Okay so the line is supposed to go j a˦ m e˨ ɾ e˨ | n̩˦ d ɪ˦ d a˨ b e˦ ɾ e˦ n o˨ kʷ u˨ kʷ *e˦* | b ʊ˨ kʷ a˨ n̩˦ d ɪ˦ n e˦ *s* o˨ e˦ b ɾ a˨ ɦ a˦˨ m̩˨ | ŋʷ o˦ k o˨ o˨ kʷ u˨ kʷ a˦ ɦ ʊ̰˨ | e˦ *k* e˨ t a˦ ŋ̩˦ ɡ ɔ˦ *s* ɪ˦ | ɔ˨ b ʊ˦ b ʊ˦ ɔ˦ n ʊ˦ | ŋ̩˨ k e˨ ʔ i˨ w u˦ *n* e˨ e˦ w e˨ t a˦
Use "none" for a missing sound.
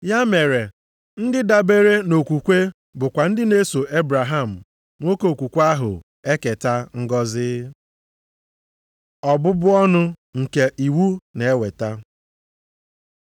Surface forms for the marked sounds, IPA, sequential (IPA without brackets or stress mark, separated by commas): e˦, s, k, z, n